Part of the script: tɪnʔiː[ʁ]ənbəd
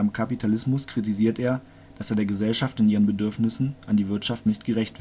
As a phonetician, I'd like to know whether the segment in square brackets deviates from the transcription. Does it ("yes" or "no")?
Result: no